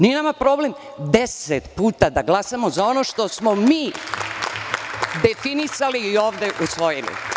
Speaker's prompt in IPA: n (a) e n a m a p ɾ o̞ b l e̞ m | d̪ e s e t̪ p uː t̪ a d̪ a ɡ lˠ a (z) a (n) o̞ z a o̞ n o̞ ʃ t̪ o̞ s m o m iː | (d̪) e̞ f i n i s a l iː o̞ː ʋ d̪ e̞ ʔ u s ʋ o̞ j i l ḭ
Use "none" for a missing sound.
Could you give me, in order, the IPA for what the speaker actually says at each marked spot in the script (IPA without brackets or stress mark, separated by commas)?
i, s, m, d̪